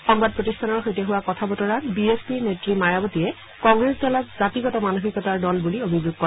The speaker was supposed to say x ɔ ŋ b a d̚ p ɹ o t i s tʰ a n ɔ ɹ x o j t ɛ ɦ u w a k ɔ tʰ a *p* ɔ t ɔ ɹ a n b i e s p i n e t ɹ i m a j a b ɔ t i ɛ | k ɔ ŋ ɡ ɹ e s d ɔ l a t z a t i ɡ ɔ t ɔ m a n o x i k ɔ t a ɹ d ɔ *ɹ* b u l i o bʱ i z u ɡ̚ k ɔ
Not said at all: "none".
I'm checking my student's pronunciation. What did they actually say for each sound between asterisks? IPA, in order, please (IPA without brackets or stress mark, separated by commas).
b, l